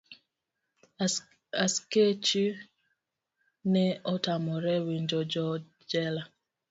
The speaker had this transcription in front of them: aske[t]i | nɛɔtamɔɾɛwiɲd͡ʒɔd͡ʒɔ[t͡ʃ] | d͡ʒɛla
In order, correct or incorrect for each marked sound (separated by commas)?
incorrect, incorrect